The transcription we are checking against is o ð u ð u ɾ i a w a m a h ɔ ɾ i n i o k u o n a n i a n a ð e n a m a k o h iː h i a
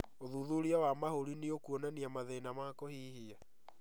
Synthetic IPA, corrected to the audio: o ð u ð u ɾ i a w a m a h o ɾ i n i o k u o n a n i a m a ð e n a m a k o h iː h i a